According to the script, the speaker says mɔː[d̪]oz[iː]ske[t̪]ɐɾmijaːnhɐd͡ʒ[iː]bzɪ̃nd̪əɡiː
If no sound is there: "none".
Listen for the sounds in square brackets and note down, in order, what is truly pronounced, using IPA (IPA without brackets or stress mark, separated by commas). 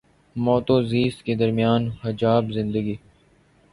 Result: t̪, iː, d̪, aː